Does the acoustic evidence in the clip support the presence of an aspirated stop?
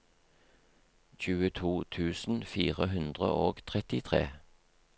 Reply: yes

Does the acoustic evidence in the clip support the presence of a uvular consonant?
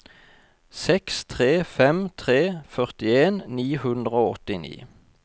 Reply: yes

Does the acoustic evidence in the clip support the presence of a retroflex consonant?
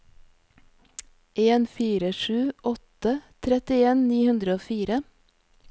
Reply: no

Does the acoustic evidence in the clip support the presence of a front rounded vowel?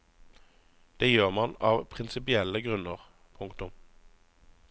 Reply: yes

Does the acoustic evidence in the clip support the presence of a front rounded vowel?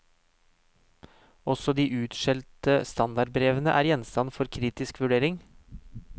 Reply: no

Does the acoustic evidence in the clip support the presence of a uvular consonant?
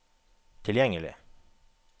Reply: no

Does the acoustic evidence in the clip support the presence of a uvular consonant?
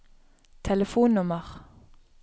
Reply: yes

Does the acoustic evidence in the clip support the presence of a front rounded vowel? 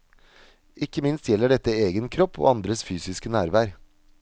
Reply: yes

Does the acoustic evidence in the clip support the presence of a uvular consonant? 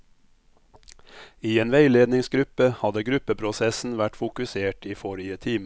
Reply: no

